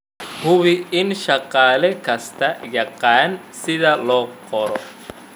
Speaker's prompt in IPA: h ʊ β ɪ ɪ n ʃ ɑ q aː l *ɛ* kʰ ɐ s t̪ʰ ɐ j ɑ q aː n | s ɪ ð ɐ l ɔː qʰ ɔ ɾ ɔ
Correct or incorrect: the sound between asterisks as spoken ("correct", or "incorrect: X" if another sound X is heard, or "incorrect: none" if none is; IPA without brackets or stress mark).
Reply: correct